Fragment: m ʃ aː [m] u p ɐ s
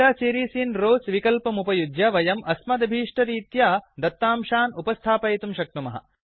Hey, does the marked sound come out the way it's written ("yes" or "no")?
no